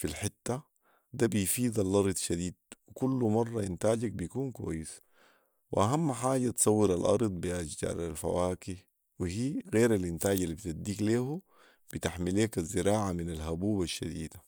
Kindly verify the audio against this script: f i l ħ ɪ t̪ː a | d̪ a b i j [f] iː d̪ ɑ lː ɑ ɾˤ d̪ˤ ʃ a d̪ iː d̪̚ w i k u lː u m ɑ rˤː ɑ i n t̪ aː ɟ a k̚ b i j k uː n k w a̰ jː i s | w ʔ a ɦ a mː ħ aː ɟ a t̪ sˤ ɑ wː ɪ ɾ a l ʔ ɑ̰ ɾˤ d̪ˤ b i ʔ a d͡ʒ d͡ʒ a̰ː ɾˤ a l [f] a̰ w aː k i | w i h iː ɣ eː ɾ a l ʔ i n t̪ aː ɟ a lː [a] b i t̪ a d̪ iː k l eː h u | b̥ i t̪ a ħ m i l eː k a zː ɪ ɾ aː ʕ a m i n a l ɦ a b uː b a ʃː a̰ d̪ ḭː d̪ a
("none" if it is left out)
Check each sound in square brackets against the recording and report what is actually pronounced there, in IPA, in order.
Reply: f, f, i

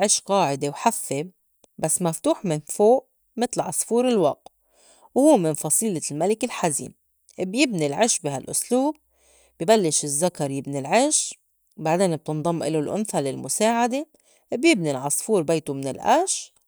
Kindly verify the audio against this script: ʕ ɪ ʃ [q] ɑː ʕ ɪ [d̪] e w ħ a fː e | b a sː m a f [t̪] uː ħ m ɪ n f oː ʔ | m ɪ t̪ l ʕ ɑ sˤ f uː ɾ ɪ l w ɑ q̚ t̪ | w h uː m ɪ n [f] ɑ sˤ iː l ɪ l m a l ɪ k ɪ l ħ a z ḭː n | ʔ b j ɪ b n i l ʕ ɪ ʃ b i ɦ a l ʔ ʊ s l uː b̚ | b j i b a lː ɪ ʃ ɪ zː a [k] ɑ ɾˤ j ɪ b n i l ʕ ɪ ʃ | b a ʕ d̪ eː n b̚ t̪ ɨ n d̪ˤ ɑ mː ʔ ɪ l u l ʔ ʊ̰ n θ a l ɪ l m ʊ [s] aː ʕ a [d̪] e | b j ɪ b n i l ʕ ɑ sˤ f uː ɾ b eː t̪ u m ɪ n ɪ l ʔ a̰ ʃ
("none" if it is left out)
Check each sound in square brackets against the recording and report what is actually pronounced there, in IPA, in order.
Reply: q, d̪, t̪, f, k, s, d̪

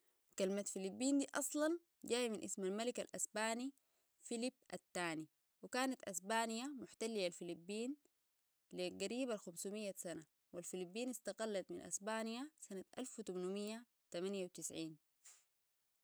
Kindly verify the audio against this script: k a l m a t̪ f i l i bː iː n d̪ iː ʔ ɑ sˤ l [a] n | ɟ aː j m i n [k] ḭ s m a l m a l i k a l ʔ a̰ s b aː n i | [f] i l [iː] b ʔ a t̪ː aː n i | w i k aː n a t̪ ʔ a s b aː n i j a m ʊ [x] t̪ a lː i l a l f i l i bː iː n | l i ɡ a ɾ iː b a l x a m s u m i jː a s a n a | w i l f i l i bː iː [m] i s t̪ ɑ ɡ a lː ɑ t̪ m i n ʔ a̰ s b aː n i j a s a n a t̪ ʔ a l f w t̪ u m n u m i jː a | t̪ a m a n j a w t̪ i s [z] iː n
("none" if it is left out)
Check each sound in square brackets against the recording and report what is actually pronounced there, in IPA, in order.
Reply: ɑ, ʔ, f, i, ħ, n, ʕ

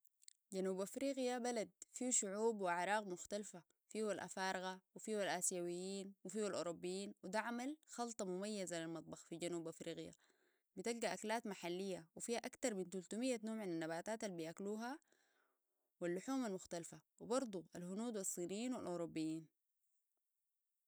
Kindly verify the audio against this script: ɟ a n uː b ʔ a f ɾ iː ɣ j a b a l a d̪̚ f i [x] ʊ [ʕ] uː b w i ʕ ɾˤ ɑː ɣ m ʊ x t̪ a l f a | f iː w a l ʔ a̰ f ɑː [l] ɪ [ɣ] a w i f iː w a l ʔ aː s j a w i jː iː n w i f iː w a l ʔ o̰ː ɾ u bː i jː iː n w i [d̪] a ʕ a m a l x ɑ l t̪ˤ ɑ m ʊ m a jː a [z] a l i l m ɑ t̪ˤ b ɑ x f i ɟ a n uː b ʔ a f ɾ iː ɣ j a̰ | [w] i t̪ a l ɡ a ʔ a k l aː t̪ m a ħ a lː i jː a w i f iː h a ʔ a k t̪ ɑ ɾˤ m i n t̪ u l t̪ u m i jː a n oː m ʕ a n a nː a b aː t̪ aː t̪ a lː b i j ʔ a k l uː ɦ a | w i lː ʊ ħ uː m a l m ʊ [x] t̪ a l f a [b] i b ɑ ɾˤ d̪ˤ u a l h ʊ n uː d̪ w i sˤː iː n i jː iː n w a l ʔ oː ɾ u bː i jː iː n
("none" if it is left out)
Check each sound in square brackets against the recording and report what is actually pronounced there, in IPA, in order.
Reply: ʃ, ʕ, ɾ, ɣ, d̪, z, b, x, w

